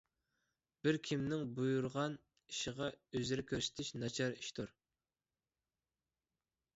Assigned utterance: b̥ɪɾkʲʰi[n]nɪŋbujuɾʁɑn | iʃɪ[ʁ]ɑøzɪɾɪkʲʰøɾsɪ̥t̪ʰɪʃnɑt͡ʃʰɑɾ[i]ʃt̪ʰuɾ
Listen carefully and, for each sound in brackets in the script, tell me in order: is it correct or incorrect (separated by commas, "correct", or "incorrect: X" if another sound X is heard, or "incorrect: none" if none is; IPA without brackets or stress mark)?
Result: incorrect: m, correct, correct